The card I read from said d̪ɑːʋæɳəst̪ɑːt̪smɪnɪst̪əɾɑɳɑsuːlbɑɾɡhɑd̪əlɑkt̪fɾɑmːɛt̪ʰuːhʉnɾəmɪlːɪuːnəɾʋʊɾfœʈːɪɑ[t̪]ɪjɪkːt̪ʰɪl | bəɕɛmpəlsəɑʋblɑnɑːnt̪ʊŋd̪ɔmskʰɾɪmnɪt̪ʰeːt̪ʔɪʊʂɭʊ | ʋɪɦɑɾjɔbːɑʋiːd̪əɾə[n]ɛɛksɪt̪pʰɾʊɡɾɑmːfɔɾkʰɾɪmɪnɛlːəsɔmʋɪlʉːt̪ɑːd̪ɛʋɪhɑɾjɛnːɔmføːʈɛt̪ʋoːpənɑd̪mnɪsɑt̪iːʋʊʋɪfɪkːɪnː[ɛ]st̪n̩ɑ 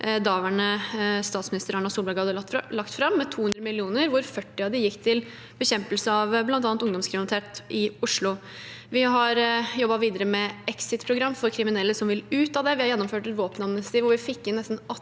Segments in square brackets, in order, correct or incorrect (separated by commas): incorrect, incorrect, correct